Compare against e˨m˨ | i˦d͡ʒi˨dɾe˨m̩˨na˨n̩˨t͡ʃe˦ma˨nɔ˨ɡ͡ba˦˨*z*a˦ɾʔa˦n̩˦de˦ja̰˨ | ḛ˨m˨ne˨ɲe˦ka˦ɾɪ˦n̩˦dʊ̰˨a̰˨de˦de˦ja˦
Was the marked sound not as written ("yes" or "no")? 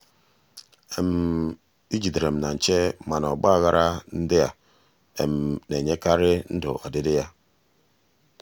yes